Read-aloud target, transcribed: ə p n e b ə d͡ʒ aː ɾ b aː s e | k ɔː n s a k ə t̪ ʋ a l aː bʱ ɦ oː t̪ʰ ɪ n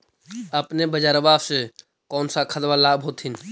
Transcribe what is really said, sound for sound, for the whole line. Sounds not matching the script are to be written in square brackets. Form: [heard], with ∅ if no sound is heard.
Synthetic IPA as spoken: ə p n e b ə d͡ʒ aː ɾ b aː s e | k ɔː n s a [kʰ] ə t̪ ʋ a l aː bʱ ɦ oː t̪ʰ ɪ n